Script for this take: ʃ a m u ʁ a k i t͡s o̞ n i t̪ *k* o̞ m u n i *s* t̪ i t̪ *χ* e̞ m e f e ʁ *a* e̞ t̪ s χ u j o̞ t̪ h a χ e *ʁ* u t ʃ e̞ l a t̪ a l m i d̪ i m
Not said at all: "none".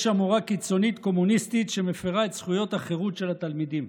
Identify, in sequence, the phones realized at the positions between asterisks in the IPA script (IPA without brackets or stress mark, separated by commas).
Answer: k, s, ʃ, a, ʁ